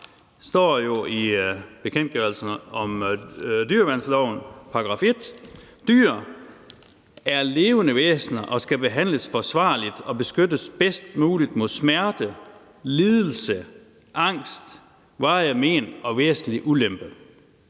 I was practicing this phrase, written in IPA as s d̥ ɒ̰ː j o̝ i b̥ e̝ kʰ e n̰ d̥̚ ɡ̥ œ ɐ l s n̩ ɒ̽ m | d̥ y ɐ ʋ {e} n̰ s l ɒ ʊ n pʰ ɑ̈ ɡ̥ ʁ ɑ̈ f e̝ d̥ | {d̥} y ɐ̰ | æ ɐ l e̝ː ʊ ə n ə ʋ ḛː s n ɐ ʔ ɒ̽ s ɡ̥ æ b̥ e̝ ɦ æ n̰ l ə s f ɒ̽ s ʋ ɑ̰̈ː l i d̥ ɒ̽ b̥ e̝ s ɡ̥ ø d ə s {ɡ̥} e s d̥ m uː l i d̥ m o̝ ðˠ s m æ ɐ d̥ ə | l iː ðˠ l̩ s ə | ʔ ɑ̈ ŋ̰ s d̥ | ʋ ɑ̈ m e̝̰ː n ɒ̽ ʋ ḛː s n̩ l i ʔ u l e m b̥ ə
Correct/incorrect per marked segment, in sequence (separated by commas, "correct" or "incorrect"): incorrect, correct, incorrect